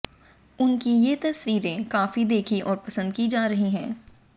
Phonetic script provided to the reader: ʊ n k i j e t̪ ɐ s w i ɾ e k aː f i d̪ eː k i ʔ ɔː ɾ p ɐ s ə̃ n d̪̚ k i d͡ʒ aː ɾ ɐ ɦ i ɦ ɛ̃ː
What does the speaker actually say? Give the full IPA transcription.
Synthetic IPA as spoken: ʊ n k i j e t̪ ɐ s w iː ɾ ẽ k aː f i d̪ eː kʰ i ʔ ɔː ɾ p ɐ s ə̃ n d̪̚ k i d͡ʒ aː ɾ ɐ ɦ i ɦ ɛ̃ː

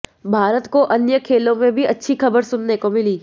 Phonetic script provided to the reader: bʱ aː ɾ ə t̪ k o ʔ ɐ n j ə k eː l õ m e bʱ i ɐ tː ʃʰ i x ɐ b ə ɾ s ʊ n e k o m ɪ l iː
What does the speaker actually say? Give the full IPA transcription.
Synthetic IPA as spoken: bʱ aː ɾ ə t̪ k o ʔ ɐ n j ə kʰ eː l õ m ẽ bʱ i ɐ tː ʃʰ i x ɐ b ə ɾ s ʊ nː e k o m ɪ l iː

